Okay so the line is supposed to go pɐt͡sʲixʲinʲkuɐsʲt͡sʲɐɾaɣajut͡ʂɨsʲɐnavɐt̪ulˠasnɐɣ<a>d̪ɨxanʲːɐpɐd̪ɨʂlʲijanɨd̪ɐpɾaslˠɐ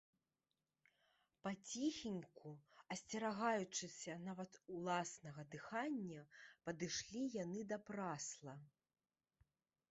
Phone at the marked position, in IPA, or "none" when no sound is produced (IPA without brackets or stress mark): ɐ